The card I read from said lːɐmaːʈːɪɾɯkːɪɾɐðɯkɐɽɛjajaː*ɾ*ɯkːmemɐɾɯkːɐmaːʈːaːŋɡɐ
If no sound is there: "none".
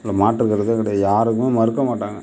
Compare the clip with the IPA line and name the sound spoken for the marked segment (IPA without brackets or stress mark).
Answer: ɾ